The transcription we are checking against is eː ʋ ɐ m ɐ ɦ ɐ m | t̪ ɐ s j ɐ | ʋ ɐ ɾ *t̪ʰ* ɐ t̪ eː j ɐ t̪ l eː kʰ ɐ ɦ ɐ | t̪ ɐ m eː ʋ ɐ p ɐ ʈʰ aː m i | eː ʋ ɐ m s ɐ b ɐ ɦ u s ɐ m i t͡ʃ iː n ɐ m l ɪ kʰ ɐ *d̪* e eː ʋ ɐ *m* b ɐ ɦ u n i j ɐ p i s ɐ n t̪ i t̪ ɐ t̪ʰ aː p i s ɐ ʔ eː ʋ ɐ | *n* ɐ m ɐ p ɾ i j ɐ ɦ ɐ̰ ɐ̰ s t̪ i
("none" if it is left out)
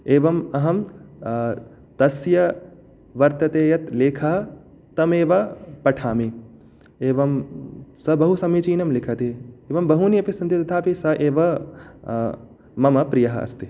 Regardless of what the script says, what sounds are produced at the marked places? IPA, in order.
t̪, t̪, m, m

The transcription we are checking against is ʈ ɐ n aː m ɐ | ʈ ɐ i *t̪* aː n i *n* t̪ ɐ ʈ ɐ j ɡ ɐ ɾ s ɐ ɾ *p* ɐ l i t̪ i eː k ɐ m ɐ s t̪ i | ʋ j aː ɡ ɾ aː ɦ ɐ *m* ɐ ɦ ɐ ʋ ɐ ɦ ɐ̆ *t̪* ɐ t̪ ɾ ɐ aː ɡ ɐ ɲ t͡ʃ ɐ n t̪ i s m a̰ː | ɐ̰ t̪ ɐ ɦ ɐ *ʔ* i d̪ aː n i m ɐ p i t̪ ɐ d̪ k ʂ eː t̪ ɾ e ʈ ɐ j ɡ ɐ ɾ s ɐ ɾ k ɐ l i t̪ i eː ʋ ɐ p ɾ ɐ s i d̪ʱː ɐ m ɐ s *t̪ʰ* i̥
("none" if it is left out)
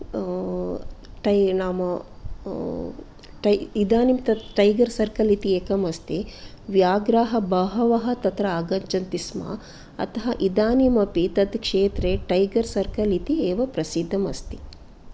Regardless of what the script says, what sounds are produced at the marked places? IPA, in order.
d̪, m, k, b, t̪, ʔ, t̪

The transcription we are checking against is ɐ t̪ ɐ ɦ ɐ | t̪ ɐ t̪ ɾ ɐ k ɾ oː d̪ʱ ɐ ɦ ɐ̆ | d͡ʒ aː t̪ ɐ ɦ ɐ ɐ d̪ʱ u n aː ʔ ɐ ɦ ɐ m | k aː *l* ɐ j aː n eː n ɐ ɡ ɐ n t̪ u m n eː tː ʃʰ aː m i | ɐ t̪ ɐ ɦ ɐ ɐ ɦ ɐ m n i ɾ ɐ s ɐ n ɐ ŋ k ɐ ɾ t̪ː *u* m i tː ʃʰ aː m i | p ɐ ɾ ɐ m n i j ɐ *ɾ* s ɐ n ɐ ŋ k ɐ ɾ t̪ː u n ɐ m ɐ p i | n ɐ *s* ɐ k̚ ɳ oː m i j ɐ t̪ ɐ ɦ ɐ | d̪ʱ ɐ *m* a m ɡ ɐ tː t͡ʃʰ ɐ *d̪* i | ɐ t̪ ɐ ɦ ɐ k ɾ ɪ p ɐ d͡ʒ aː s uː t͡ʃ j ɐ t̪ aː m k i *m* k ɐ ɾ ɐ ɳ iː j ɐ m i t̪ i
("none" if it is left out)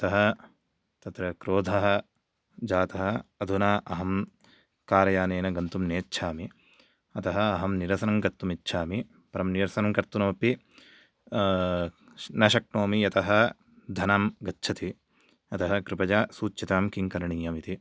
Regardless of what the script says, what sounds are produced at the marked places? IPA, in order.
ɾ, u, ɾ, ʃ, n, t̪, ŋ

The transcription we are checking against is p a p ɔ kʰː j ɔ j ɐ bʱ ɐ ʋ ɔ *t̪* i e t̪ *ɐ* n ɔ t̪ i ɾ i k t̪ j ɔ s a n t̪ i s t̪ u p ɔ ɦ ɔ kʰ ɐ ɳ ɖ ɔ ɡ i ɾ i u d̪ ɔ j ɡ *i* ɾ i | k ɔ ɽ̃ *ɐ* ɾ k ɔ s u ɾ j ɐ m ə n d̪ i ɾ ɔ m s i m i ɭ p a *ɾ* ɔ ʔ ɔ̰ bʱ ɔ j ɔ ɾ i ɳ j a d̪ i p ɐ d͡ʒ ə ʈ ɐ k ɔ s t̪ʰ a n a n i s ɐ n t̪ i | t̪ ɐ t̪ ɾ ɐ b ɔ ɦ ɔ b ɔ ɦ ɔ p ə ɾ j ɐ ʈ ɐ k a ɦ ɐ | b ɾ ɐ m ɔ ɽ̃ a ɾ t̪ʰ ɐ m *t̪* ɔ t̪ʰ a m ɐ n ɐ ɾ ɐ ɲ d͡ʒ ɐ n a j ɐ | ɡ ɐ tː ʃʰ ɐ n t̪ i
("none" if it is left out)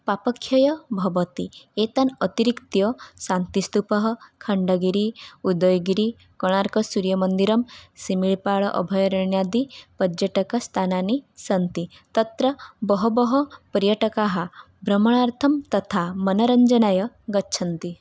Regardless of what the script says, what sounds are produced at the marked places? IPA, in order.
t̪, a, i, a, ɭ, t̪

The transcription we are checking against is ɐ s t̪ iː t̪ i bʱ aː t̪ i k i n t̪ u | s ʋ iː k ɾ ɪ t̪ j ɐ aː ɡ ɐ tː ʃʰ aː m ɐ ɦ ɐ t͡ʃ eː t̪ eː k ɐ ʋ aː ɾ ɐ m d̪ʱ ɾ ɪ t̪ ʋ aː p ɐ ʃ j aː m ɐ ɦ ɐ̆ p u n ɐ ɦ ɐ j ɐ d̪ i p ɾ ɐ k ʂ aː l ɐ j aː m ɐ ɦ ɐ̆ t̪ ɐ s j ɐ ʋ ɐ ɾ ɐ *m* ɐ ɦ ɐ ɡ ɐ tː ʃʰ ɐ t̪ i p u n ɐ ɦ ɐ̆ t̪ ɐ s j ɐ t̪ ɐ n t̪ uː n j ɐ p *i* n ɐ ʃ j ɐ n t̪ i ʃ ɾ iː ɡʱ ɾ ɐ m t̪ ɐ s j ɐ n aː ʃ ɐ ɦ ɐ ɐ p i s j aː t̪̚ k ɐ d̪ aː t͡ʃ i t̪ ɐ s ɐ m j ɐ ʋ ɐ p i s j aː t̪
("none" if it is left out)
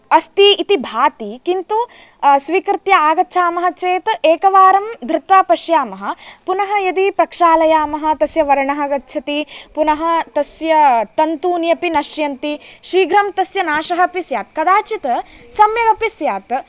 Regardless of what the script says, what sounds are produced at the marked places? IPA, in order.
ɳ, i

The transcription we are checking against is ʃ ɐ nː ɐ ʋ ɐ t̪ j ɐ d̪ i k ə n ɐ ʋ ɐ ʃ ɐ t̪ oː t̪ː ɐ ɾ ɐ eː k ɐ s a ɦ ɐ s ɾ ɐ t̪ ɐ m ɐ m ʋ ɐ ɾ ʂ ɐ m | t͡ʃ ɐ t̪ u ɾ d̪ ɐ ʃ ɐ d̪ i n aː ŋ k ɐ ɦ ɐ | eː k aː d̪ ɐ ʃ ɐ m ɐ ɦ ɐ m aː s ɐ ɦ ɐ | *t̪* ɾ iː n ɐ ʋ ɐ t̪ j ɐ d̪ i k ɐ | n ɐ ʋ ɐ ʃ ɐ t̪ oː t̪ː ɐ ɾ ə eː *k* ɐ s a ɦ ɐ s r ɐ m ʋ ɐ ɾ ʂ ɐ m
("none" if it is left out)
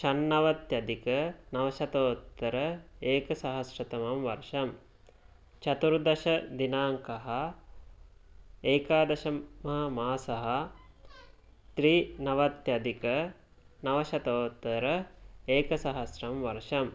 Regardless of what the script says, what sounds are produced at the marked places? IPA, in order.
t̪, k

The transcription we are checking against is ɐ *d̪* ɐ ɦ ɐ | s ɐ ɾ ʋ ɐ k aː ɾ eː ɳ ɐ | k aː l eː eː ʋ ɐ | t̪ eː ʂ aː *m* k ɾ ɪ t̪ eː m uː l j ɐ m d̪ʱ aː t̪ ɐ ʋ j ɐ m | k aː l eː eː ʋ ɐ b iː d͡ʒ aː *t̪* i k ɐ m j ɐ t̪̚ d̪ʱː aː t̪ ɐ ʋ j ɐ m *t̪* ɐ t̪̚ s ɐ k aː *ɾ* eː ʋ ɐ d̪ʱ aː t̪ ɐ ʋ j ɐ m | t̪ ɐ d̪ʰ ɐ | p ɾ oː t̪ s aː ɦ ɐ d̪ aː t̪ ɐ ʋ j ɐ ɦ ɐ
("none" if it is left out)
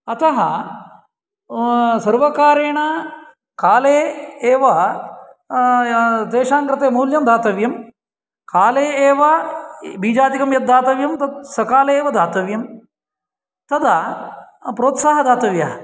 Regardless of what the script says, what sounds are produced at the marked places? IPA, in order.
t̪, ŋ, t̪, t̪, l

